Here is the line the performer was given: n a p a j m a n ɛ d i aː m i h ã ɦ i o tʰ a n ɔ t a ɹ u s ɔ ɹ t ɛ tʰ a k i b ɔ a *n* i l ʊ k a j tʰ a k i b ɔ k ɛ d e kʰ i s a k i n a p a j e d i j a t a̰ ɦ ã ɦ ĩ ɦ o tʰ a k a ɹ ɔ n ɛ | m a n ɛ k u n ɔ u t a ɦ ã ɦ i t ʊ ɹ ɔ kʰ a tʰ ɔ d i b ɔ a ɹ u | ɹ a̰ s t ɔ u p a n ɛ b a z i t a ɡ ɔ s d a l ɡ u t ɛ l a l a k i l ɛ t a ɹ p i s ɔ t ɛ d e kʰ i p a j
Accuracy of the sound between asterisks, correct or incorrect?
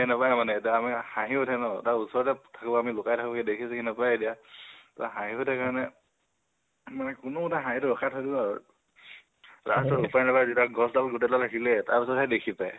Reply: incorrect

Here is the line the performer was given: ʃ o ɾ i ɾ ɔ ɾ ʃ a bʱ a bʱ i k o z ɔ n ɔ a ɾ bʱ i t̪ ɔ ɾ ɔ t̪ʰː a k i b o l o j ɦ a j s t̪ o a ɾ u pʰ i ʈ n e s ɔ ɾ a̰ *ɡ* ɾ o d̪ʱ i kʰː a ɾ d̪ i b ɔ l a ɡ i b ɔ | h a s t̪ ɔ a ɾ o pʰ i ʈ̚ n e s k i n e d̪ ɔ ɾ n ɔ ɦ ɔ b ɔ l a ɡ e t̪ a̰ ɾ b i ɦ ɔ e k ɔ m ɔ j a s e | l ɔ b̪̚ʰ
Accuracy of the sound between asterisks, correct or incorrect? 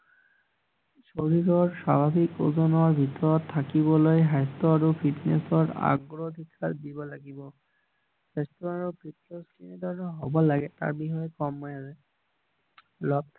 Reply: correct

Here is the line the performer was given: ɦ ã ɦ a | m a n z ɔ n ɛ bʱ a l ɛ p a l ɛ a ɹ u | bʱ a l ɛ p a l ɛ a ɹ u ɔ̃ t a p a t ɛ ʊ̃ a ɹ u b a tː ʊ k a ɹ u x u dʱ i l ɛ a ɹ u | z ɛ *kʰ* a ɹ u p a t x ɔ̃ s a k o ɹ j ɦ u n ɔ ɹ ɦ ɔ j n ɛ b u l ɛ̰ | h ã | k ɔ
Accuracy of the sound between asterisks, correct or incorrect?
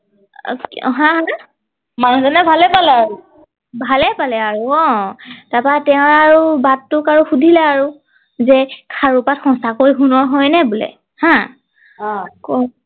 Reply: correct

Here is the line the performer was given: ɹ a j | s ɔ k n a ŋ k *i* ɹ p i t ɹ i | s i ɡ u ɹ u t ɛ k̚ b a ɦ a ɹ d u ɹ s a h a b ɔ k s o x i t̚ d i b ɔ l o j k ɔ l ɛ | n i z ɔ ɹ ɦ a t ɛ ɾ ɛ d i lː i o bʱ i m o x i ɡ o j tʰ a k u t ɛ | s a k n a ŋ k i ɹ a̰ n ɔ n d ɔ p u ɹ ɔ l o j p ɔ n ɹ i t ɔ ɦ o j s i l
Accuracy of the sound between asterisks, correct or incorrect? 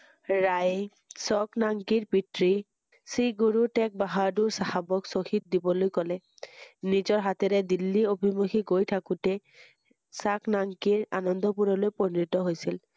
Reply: correct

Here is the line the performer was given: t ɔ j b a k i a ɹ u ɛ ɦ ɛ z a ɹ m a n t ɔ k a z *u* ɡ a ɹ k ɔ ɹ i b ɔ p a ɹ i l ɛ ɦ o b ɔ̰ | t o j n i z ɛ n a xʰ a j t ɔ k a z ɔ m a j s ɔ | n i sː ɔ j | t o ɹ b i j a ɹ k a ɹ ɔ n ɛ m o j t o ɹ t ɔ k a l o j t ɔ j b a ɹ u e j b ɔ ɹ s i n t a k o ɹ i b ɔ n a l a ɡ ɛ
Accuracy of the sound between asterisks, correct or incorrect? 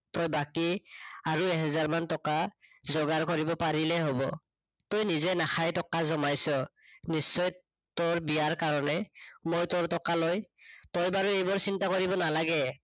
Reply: incorrect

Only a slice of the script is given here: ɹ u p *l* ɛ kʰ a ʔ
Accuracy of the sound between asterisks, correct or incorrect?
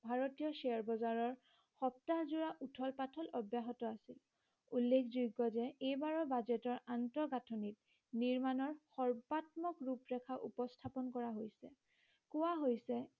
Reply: incorrect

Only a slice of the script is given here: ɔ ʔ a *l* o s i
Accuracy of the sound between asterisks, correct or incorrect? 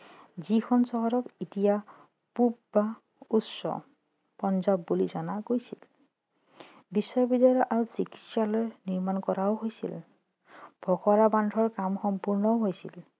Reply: incorrect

